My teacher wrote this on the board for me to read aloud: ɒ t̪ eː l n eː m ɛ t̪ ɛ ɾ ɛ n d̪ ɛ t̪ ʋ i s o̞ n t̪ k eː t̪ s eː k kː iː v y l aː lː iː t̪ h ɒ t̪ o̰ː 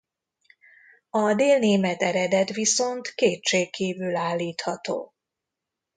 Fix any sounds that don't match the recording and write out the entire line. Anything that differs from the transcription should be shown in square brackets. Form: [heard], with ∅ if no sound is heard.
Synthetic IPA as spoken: ɒ [d̪] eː l n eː m ɛ t̪ ɛ ɾ ɛ [∅] d̪ ɛ t̪ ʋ i s o̞ n t̪ k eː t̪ [ʃ] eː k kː iː v y l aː lː iː t̪ h ɒ t̪ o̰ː